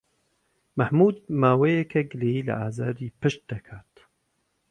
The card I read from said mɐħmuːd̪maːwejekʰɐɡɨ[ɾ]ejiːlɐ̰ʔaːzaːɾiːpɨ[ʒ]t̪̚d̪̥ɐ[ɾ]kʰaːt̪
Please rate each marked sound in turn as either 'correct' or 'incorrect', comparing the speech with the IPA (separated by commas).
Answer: incorrect, incorrect, incorrect